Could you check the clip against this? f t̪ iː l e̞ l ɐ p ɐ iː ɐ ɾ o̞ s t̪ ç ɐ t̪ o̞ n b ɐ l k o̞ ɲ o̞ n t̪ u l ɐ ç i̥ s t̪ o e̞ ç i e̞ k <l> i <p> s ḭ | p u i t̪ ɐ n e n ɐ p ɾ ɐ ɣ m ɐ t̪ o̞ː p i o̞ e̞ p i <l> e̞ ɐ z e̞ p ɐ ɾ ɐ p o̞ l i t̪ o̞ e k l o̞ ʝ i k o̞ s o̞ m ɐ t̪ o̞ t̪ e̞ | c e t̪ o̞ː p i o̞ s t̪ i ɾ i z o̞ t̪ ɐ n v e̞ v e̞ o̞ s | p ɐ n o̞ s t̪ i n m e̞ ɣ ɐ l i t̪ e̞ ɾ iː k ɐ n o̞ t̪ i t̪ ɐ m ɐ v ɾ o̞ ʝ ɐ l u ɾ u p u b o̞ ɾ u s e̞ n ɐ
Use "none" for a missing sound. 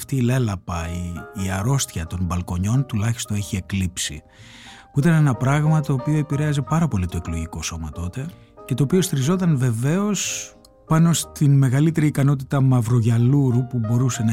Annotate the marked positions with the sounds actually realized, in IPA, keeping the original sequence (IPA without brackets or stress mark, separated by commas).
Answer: l, p, ɾ